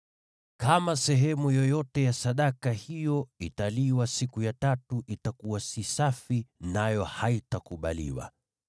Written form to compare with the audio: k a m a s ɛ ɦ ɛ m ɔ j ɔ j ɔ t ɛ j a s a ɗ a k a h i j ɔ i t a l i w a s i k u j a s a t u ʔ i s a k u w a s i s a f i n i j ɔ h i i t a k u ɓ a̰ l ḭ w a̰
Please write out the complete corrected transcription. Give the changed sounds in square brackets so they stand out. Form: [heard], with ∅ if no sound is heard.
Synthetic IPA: k a m a s ɛ ɦ ɛ m [u] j ɔ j ɔ t ɛ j a s a ɗ a k a h i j ɔ i t a l i w a s i k u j a [t] a t u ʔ i [t] a k u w a s i s a f i n [a] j ɔ h [a] i t a k u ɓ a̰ l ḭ w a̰